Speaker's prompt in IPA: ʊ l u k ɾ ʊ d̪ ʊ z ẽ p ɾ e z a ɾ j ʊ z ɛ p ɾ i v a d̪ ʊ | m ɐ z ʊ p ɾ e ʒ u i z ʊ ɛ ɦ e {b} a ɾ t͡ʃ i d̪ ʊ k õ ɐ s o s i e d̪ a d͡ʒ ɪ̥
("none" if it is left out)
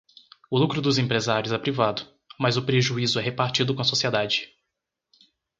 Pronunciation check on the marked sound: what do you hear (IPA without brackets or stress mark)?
p